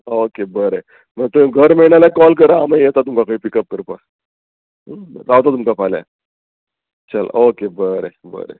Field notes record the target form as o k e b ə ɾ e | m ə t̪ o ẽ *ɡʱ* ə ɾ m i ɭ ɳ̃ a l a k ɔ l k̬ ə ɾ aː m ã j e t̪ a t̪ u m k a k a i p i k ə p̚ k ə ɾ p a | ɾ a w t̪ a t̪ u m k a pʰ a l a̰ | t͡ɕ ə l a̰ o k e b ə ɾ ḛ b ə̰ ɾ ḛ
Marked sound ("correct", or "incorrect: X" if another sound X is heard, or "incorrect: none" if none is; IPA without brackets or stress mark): correct